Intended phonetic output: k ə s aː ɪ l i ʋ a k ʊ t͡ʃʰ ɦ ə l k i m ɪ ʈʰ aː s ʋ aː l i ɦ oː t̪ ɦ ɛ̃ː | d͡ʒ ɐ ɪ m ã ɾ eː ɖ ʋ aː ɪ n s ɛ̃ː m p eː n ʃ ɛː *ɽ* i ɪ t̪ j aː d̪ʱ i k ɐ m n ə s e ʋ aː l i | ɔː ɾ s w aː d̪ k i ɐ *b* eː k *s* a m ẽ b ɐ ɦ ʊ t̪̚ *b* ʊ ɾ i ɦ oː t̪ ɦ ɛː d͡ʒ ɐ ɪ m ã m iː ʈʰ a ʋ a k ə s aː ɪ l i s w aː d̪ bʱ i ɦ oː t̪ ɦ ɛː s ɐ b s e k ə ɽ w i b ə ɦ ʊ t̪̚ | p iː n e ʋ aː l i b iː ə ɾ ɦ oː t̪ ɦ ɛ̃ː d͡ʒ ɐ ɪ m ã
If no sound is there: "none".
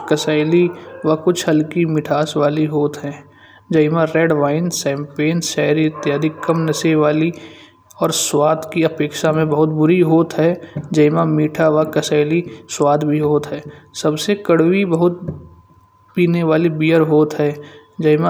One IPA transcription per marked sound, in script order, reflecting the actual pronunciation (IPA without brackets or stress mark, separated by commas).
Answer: ɾ, p, ʃ, b